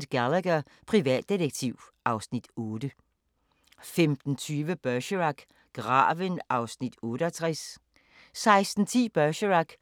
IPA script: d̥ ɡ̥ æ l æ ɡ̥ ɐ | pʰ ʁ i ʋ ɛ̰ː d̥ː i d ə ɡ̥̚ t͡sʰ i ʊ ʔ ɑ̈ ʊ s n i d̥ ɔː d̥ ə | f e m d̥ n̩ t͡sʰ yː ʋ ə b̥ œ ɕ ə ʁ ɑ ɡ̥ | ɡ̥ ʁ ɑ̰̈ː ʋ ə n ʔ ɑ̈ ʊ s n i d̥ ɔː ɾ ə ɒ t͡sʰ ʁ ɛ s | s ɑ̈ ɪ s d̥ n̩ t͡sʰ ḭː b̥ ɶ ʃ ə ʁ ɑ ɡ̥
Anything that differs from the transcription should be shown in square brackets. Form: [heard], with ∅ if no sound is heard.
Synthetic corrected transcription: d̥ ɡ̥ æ l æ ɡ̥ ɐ | pʰ ʁ i ʋ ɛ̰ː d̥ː i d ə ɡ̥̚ t͡sʰ i ʊ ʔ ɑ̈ ʊ s n i d̥ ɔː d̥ ə | f e m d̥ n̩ t͡sʰ yː ʋ ə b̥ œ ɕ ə ʁ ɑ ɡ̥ | ɡ̥ ʁ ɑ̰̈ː ʋ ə n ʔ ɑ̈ ʊ s n i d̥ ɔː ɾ ə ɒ t͡sʰ ʁ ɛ s | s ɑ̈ ɪ s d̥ n̩ t͡sʰ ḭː b̥ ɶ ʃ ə ʁ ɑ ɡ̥